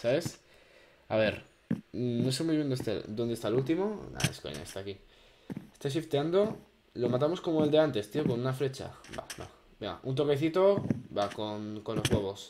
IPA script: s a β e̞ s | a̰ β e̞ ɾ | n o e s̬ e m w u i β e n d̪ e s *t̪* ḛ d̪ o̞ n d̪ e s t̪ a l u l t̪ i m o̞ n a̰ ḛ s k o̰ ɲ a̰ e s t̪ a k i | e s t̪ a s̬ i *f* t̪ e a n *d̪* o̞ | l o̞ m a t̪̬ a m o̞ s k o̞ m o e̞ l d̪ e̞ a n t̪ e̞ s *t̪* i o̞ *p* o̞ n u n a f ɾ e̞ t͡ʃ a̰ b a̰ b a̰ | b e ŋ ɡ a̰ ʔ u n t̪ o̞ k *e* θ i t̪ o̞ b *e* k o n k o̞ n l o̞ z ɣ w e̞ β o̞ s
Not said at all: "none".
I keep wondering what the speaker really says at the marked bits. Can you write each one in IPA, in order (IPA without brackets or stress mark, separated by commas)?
t̪, f, d̪, t̪, k, e, a